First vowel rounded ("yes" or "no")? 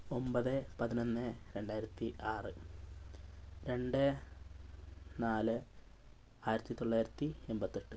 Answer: yes